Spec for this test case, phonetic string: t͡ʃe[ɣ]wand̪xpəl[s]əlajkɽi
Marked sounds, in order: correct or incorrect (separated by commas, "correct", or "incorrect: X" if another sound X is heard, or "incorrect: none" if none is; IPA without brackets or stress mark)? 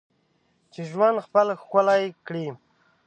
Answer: incorrect: ʒ, incorrect: x